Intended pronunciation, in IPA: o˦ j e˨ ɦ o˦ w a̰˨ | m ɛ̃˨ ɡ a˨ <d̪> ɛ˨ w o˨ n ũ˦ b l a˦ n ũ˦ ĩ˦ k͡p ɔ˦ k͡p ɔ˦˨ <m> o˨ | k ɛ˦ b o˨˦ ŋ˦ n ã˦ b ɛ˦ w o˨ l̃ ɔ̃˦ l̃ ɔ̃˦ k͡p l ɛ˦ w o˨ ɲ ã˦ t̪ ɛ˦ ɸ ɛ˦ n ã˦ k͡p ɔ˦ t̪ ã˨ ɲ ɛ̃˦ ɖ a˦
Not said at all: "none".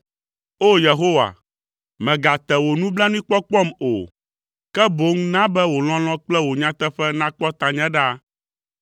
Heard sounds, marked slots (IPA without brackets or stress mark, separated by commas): t̪, m